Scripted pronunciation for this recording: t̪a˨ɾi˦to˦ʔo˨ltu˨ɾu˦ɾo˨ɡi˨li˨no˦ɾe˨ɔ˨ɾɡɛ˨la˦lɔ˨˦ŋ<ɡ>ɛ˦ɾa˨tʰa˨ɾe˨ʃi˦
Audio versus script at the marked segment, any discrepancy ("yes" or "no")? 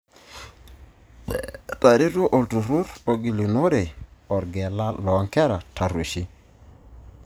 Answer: yes